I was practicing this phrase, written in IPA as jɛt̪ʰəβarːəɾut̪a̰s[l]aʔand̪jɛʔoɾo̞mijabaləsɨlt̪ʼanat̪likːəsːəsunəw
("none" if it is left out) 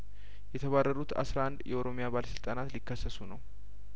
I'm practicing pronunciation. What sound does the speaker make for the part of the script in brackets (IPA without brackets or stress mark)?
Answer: ɾ